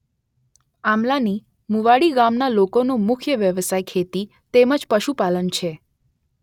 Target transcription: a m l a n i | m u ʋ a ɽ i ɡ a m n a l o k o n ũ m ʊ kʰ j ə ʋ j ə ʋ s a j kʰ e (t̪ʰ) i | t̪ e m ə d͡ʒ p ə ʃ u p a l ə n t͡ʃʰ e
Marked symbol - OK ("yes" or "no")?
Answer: no